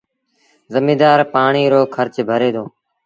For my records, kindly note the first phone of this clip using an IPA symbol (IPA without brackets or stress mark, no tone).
z